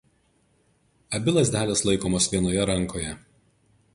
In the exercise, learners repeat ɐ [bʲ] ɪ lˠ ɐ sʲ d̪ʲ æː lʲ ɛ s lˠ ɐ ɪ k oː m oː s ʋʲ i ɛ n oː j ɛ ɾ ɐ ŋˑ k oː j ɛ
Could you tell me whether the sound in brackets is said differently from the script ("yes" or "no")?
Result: no